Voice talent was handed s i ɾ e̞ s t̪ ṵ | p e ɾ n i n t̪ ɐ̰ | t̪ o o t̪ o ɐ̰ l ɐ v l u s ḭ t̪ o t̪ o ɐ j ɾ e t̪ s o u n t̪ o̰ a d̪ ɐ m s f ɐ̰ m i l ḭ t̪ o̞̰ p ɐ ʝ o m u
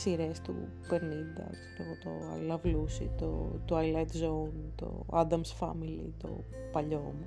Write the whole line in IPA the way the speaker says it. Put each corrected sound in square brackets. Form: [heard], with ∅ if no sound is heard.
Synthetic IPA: s i ɾ e̞ s t̪ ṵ | p e ɾ n i n [d̪] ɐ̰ | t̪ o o t̪ o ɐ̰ l ɐ v l u s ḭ t̪ o t̪ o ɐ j [l] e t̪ [z] o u n t̪ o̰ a d̪ ɐ m s f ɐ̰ m i l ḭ t̪ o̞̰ p ɐ [ʎ] o m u